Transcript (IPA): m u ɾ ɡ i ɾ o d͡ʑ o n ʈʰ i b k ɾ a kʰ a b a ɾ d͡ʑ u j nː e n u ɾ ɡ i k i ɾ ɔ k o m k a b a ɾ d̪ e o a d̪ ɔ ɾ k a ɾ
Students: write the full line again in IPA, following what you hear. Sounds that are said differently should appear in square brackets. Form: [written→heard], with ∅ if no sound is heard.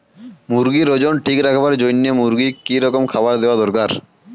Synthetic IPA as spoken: m u ɾ ɡ i ɾ o d͡ʑ o n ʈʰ i [b→∅] k ɾ a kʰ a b a ɾ d͡ʑ [u→o] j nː e [n→m] u ɾ ɡ i k i ɾ ɔ k o m [k→kʰ] a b a ɾ d̪ e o a d̪ ɔ ɾ k a ɾ